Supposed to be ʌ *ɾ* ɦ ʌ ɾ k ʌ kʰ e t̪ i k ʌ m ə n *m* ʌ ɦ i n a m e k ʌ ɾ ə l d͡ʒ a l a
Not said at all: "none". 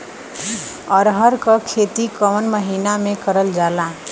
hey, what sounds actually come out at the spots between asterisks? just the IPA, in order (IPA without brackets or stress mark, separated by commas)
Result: ɾ, m